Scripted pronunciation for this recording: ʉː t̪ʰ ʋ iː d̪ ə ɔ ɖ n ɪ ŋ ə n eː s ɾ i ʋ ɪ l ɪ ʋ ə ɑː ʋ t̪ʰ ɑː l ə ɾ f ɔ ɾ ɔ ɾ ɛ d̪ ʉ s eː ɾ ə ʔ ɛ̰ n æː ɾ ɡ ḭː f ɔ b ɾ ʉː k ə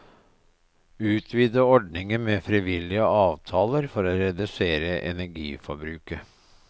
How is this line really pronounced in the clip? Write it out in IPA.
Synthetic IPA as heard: ʉː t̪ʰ ʋ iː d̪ ə ɔ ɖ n ɪ ŋ ə m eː f ɾ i ʋ ɪ l ɪ ə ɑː ʋ t̪ʰ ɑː l ə ɾ f ɔ ɾ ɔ ɾ ɛ d̪ ʉ s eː ɾ ə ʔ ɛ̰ n æ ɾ ɡ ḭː f ɔ b ɾ ʉː k ə